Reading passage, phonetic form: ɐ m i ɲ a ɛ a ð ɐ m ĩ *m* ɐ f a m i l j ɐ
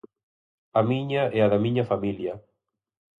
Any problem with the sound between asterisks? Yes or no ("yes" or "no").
yes